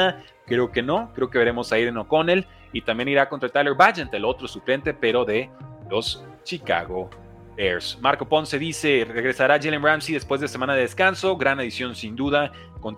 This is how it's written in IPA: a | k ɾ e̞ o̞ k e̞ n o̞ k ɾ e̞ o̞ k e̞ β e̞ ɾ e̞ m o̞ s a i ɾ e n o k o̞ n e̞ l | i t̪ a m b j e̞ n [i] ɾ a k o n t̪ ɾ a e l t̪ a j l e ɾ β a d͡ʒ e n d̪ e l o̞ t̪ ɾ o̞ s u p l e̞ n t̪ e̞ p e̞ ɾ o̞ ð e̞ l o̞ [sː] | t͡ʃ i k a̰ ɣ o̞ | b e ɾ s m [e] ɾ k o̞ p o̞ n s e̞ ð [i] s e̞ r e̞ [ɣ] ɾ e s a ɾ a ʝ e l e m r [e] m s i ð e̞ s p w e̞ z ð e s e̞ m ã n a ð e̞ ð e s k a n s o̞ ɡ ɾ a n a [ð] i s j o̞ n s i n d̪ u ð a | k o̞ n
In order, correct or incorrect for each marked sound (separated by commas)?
correct, incorrect, incorrect, correct, correct, incorrect, correct